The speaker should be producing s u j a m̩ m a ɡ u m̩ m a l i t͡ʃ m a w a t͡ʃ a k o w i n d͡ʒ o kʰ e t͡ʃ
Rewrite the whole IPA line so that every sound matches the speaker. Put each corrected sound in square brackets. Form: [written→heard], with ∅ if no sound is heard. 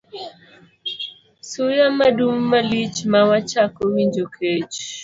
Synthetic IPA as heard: s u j a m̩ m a [ɡ→d] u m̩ m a l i t͡ʃ m a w a t͡ʃ a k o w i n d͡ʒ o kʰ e t͡ʃ